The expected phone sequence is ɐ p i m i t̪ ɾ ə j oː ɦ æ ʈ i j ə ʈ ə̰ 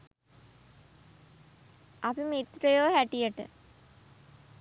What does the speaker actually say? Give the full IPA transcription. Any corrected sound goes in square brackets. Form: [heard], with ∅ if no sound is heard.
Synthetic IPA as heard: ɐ p i m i t̪ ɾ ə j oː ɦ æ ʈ i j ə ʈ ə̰

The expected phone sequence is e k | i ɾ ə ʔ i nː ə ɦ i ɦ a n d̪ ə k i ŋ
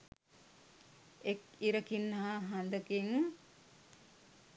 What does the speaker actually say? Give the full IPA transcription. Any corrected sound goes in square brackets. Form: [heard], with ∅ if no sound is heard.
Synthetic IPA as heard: e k | i ɾ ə [k] i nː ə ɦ [a] ɦ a n d̪ ə k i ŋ

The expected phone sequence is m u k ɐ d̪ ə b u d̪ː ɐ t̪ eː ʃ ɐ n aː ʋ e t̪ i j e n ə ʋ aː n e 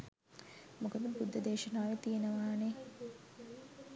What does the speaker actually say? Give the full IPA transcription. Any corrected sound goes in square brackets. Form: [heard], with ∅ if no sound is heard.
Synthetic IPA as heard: m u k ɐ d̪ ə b u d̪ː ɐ [d̪] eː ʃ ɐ n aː ʋ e t̪ i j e n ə ʋ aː n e

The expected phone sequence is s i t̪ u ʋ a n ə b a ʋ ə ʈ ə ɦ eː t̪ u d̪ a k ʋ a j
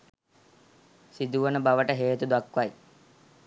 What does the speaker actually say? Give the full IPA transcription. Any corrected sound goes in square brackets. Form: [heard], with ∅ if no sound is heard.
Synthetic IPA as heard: s i [d̪] u ʋ [ə] n ə b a ʋ ə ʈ ə ɦ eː t̪ u d̪ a k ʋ a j

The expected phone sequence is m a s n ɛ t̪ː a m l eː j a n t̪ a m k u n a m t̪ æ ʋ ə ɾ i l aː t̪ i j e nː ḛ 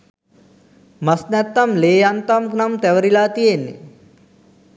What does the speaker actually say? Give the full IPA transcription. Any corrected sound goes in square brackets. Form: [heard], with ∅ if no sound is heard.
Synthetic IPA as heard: m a s n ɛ t̪ː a m l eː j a n t̪ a m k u n a m t̪ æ ʋ ə ɾ i l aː t̪ i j e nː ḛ

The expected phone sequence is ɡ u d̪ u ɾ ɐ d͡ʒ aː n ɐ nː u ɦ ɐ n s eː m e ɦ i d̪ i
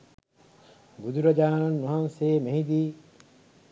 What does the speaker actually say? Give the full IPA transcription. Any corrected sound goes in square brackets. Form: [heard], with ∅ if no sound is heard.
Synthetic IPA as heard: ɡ u d̪ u ɾ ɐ d͡ʒ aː n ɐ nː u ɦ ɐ n s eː m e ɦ i d̪ [iː]

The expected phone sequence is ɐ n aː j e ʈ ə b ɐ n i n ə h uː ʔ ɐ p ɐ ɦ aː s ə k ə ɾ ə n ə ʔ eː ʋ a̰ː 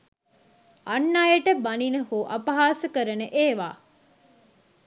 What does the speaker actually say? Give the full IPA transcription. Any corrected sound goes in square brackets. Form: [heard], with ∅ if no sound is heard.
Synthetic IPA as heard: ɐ [nː] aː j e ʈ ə b ɐ n i n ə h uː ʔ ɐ p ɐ ɦ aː s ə k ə ɾ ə n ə ʔ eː ʋ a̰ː

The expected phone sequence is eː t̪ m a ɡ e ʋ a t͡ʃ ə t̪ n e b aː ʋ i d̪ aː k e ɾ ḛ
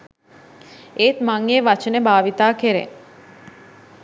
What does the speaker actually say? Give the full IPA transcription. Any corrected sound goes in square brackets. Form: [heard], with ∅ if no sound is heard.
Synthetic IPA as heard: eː t̪ m a [ŋ] e ʋ a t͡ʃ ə [∅] n e b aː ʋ i [t̪] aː k e ɾ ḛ

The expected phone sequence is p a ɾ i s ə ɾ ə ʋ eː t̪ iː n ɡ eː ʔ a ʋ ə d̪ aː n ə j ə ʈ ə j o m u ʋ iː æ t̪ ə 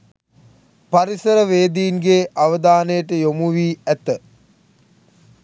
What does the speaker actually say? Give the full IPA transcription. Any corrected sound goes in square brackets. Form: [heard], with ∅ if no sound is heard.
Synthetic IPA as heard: p a ɾ i s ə ɾ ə ʋ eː [d̪] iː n ɡ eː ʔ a ʋ ə d̪ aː n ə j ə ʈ ə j o m u ʋ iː æ t̪ ə

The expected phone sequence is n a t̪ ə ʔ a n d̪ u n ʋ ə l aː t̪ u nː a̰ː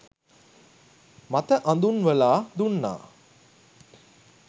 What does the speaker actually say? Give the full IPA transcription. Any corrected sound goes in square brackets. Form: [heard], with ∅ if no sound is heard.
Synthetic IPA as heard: [m] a t̪ ə ʔ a n d̪ u n ʋ ə l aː [d̪] u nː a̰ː

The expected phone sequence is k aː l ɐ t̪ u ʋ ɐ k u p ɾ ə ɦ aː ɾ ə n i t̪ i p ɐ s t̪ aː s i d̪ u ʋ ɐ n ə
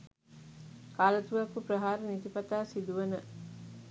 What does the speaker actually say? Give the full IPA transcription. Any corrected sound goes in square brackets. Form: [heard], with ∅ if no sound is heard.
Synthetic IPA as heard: k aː l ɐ t̪ u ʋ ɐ k u p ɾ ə ɦ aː ɾ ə n i t̪ i p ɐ [∅] t̪ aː s i d̪ u ʋ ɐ n ə

